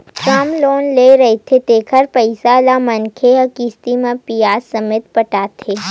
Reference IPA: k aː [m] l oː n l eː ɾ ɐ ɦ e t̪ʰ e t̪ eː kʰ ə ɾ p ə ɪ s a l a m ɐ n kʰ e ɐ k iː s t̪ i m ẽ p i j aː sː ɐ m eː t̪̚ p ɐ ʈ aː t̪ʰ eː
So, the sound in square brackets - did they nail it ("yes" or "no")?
yes